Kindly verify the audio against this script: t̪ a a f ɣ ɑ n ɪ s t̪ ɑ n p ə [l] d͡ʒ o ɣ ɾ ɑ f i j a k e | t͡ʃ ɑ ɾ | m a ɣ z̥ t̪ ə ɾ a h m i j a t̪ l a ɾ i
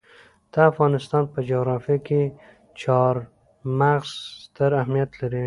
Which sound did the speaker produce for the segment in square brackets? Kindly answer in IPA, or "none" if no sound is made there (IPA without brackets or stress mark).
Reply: none